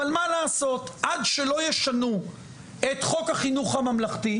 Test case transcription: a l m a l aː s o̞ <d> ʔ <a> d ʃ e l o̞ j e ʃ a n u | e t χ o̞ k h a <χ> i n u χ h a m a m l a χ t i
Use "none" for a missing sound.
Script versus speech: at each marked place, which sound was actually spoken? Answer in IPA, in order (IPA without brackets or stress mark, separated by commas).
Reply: t, a, χ